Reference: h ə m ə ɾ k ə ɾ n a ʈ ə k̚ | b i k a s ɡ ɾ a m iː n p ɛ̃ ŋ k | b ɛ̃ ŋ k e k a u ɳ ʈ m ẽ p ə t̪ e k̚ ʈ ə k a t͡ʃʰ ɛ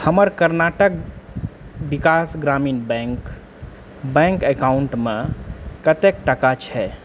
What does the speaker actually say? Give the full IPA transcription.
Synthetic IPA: h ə m ə ɾ k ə ɾ n a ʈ ə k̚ | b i k a s ɡ ɾ a m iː n b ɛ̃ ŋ k | b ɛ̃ ŋ k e k a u ɳ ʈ m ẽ k ə t̪ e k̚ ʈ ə k a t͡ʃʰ ɛ